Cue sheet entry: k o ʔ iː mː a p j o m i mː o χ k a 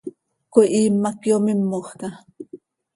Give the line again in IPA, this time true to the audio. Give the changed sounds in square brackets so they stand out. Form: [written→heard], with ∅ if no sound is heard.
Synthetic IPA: k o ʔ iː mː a [p→k] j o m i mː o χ k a